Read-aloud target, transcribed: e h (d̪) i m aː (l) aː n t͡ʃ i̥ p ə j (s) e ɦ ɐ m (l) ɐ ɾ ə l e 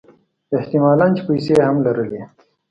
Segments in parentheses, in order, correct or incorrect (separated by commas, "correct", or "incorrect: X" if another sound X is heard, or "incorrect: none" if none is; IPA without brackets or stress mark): incorrect: t̪, correct, correct, correct